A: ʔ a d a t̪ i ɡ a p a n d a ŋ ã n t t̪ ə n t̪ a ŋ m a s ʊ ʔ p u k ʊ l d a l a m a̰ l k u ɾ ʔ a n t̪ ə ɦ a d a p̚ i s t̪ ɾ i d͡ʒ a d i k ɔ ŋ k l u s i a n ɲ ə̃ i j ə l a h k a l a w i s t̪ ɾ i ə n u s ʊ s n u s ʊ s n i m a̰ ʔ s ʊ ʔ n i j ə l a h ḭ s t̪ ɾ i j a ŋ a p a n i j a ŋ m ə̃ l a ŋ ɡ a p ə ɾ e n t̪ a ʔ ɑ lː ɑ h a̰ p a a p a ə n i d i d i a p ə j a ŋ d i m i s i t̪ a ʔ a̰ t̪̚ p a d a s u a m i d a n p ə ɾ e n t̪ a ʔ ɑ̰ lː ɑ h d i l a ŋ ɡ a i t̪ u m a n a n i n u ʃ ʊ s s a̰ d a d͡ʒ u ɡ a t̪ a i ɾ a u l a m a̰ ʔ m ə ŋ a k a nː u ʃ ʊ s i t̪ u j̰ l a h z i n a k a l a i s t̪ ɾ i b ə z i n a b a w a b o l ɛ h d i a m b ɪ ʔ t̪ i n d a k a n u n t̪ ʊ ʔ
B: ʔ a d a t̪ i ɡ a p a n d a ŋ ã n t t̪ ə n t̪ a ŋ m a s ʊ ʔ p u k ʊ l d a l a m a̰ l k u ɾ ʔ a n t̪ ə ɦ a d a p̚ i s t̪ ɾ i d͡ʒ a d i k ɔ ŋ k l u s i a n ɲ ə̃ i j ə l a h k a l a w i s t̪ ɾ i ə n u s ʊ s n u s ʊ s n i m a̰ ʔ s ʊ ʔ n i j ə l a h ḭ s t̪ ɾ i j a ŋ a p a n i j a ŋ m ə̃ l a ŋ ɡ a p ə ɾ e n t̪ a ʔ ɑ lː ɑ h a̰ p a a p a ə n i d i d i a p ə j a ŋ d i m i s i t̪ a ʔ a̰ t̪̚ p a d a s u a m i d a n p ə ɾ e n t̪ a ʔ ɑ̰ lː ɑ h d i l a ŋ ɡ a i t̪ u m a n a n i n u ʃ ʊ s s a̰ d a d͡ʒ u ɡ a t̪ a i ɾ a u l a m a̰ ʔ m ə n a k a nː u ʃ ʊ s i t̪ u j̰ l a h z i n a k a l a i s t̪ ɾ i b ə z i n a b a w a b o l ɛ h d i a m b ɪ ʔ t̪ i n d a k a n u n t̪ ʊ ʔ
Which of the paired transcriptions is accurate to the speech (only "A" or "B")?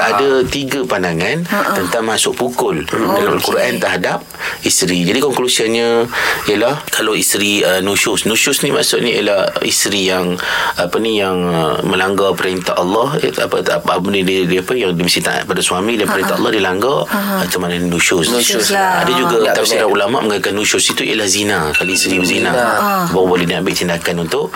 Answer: A